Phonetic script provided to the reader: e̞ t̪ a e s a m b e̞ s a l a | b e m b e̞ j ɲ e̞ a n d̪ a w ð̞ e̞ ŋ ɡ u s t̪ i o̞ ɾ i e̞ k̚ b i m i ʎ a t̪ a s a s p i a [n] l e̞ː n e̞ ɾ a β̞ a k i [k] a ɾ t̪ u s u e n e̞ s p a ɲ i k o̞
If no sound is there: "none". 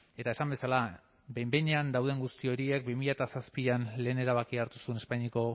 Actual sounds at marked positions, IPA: n, none

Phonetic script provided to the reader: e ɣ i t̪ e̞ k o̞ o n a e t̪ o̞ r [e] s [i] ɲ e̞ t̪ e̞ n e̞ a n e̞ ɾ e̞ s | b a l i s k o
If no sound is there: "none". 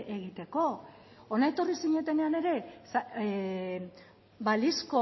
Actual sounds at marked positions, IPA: i, i

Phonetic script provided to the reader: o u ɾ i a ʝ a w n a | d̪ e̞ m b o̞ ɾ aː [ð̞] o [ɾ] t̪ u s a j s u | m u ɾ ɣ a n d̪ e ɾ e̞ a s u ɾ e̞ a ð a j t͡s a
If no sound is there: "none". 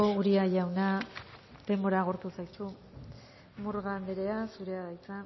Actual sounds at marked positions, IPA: ɣ̞, ɾ

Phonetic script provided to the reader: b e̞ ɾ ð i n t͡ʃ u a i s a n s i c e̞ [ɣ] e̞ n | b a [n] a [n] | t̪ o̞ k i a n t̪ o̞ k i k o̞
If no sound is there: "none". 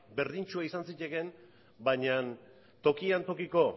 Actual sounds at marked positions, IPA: ɣ, ɲ, n

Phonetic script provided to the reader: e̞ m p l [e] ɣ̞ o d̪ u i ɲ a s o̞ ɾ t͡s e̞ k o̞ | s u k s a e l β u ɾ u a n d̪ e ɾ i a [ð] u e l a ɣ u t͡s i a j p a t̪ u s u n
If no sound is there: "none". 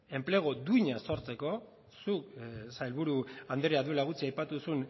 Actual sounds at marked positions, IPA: e, ð

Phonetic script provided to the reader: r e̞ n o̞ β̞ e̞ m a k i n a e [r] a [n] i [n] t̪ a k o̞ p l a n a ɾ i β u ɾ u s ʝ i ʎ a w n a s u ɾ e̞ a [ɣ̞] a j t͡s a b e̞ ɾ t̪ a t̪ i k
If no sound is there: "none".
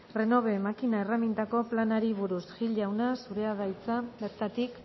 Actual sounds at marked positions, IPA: r, m, n, ð̞

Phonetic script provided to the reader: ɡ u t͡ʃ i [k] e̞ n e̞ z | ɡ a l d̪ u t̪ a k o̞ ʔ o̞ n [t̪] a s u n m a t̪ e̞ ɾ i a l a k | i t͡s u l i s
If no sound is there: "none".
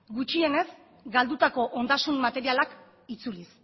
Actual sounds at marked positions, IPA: none, d̪

